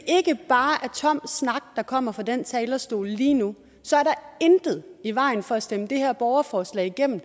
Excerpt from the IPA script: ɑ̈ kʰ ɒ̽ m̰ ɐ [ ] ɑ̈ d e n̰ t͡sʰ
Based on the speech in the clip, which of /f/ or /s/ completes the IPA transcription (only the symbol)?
f